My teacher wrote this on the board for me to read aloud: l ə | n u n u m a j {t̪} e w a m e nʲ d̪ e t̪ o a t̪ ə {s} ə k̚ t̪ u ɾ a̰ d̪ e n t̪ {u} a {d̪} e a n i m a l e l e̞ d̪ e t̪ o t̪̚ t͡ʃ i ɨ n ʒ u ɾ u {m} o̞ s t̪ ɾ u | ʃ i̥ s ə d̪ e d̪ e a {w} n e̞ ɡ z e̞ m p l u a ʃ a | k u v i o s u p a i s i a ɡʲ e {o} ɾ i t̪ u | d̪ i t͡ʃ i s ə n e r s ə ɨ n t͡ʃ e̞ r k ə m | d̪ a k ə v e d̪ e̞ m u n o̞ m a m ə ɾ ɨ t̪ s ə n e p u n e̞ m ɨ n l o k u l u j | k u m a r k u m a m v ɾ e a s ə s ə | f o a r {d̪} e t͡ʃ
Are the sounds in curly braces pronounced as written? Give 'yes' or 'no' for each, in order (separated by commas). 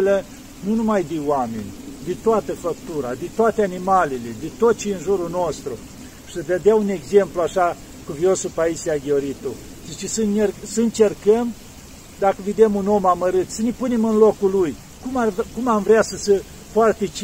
no, no, no, no, no, no, yes, no